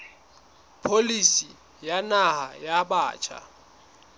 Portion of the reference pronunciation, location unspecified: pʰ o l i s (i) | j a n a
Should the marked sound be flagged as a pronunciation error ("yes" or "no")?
no